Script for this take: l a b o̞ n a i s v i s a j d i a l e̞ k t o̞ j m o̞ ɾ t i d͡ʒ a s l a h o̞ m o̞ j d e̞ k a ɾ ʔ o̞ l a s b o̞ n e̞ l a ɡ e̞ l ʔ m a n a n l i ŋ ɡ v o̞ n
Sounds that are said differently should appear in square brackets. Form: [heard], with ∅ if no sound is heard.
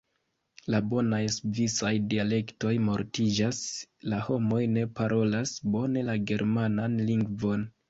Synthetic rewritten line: l a b o̞ n a [j] s v i s a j d i a l e̞ k t o̞ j m o̞ ɾ t i d͡ʒ a s l a h o̞ m o̞ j [n] e̞ [p] a ɾ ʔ o̞ l a s b o̞ n e̞ l a ɡ e̞ [ɾ] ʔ m a n a n l i ŋ ɡ v o̞ n